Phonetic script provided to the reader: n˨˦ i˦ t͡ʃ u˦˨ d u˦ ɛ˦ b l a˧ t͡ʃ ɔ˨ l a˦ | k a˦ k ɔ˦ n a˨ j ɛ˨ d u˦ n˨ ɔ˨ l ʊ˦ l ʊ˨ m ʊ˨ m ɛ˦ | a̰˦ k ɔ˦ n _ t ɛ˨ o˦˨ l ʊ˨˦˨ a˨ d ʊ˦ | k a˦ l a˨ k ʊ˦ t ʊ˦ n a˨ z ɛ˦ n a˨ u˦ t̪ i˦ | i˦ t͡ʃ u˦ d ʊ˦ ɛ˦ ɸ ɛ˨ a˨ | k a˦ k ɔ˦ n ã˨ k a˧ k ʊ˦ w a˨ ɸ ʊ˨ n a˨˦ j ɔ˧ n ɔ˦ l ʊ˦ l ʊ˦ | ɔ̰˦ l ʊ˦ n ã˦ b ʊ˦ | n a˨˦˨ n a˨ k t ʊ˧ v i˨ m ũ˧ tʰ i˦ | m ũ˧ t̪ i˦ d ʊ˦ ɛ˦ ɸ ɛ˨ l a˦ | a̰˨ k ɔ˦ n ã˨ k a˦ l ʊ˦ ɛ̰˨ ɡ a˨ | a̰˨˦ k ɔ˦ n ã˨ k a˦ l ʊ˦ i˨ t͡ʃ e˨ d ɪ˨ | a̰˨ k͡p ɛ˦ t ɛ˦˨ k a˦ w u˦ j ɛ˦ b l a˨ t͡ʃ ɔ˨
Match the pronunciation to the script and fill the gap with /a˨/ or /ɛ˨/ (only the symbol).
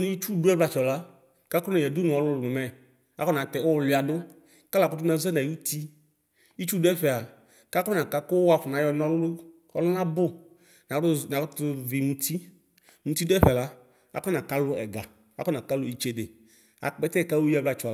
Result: a˨